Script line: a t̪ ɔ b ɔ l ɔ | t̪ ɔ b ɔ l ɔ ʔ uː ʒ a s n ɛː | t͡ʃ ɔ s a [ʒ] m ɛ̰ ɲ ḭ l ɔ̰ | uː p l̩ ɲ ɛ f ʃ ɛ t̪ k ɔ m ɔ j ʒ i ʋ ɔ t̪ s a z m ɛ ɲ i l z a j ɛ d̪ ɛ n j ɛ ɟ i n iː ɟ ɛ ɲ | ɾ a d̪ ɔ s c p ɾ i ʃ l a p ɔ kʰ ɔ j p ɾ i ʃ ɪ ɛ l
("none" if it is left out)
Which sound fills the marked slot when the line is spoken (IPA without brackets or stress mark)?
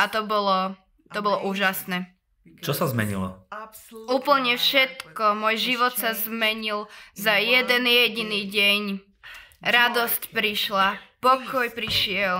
z